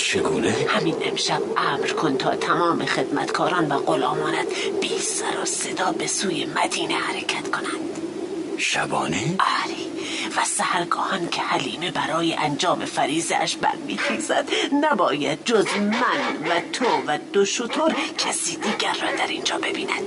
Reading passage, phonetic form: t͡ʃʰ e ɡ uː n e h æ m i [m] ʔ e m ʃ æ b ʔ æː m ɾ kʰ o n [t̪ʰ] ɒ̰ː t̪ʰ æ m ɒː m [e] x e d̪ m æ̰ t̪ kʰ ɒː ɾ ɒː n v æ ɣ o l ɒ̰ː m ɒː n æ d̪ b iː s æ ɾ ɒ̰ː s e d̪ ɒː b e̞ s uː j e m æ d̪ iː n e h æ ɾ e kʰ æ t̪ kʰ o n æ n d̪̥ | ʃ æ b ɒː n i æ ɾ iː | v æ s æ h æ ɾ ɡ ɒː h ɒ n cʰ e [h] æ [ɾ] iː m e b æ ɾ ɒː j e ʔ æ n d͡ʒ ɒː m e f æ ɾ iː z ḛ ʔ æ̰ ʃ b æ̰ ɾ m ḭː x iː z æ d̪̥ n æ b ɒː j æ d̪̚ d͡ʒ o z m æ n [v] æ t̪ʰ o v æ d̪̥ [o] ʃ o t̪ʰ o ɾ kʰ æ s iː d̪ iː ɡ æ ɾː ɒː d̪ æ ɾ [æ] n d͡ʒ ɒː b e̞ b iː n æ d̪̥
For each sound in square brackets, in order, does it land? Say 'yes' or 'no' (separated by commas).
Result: no, yes, yes, yes, no, yes, yes, no